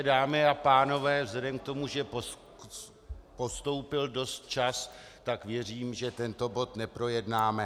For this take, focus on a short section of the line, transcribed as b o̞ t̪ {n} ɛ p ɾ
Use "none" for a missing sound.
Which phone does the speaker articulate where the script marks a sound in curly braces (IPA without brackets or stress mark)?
n